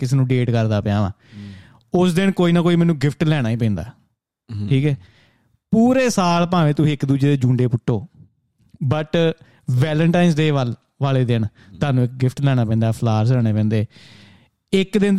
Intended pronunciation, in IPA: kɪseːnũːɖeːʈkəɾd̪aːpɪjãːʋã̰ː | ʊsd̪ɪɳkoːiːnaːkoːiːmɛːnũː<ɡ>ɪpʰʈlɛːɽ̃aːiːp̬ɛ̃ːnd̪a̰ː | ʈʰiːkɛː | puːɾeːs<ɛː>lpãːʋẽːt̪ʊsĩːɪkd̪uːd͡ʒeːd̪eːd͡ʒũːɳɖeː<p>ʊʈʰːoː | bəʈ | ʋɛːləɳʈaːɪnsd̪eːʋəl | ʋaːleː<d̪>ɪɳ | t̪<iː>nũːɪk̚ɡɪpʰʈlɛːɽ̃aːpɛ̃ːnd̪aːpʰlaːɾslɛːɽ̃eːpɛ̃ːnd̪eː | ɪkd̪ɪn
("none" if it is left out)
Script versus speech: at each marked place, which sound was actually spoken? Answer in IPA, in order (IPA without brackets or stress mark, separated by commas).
ɡ, aː, p, d̪, aː